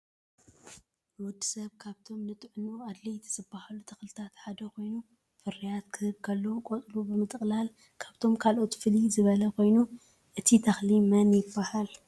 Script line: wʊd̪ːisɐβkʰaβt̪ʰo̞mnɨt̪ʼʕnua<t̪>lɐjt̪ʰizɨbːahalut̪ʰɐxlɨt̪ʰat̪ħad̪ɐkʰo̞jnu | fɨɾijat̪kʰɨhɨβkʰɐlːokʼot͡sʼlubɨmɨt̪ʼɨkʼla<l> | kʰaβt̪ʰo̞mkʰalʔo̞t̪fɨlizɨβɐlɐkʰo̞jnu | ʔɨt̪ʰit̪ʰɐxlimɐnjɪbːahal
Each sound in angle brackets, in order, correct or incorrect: incorrect: d̪, correct

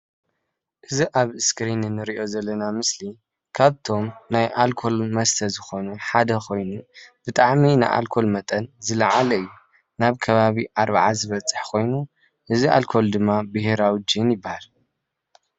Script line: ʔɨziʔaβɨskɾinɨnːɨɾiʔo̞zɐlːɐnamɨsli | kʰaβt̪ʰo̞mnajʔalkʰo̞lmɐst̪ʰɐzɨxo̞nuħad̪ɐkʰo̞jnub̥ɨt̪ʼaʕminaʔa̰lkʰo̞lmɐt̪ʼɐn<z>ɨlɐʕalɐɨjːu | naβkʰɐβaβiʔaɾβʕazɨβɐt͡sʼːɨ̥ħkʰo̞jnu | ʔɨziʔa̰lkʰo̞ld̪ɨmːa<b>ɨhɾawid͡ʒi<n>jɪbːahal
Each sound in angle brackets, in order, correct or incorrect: correct, correct, correct

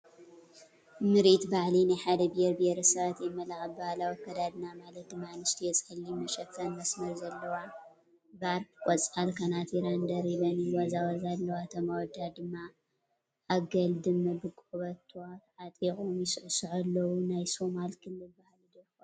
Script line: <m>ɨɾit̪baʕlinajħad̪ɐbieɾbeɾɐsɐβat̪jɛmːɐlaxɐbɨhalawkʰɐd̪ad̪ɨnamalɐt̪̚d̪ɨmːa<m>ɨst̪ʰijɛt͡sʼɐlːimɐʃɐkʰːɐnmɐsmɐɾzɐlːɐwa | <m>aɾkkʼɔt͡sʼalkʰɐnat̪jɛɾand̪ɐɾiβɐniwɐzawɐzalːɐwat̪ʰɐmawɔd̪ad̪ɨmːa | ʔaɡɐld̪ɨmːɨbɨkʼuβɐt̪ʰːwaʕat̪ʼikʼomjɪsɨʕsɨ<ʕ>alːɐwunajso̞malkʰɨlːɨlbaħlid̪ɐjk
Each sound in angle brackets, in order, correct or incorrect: correct, incorrect: n, incorrect: b, correct

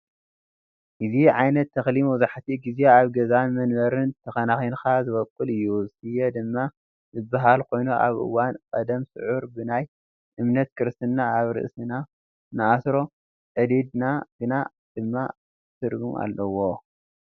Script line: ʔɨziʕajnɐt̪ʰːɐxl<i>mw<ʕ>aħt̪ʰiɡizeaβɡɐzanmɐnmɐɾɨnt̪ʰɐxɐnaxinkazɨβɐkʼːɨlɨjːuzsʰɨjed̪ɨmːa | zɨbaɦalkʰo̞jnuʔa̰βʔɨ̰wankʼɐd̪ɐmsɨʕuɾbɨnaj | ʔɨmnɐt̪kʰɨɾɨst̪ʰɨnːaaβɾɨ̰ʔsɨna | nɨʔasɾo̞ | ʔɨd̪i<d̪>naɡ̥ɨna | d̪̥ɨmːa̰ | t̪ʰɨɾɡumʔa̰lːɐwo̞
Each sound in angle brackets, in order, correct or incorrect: correct, incorrect: z, correct

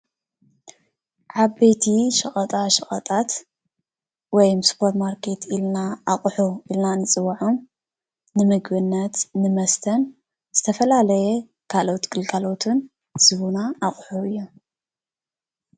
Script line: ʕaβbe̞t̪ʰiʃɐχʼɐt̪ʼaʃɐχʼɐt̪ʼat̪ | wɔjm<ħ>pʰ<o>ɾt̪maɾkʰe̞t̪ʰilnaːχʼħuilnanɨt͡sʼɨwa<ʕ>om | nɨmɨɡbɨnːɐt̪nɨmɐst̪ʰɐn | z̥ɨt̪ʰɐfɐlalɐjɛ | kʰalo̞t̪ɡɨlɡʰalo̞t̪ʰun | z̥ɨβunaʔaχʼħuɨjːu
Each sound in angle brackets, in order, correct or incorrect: incorrect: s, correct, correct

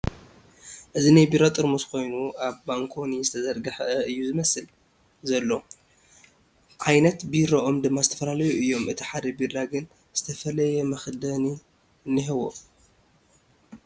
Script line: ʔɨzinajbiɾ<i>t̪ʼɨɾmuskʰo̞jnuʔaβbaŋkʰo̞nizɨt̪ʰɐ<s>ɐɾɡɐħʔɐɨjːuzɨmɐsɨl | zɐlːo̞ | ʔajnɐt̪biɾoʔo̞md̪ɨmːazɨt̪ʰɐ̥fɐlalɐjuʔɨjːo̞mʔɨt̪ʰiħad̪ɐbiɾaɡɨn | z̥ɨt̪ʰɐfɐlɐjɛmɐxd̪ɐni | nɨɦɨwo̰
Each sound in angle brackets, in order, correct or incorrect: incorrect: a, incorrect: z

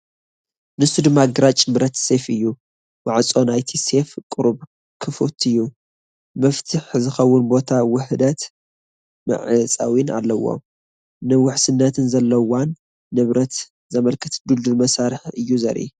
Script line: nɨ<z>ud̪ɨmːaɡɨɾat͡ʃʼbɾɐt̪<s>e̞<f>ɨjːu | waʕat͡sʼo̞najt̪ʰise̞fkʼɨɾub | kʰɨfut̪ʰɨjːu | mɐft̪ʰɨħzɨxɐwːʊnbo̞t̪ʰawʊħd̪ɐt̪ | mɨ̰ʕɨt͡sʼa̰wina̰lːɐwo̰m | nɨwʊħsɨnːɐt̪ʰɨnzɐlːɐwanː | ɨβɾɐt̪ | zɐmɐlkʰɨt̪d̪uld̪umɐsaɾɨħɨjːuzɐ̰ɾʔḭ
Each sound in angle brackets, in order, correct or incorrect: incorrect: s, correct, correct

